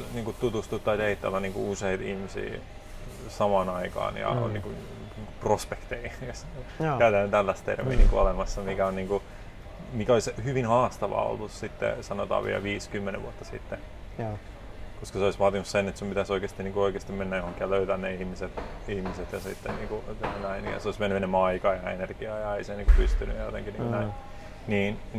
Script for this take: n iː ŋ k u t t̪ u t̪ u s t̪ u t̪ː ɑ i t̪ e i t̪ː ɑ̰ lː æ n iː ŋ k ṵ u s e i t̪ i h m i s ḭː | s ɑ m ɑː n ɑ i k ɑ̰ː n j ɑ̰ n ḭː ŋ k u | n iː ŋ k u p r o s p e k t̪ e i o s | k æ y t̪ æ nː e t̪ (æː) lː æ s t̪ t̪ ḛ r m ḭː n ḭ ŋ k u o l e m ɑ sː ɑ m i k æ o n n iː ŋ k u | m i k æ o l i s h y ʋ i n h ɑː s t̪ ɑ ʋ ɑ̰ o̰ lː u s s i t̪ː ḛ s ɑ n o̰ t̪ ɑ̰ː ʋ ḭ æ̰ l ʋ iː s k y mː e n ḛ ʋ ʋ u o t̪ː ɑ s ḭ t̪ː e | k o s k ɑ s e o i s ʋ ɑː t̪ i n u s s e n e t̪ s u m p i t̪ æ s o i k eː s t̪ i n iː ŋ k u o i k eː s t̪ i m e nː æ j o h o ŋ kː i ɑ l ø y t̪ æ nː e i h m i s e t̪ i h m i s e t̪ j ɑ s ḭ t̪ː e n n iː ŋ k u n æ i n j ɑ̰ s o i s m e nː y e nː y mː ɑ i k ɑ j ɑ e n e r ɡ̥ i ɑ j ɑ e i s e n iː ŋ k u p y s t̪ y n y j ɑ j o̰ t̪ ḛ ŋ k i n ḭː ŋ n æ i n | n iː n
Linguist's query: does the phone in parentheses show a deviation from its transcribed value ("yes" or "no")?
yes